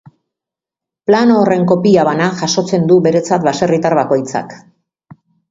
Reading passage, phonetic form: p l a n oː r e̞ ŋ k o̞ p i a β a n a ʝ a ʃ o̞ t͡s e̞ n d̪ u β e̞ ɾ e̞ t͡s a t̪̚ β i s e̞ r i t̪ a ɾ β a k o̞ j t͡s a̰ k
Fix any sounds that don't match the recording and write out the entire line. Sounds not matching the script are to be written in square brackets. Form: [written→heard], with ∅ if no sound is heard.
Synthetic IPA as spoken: p l a n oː r e̞ ŋ k o̞ p i a β a n a ʝ a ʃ o̞ t͡s e̞ n d̪ u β e̞ ɾ e̞ t͡s a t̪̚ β [i→a] s e̞ r i t̪ a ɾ β a k o̞ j t͡s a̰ k